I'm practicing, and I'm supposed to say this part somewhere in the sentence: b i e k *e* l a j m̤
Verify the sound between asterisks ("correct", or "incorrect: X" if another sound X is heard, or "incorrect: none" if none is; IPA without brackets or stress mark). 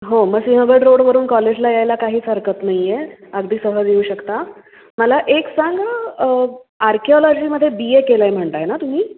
correct